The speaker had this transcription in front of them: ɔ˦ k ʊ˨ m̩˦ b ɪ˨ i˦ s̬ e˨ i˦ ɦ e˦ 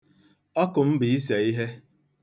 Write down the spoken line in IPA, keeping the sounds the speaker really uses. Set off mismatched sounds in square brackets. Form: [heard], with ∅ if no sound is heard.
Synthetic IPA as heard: ɔ˦ k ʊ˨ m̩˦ b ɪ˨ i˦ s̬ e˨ i˦ ɦ e˦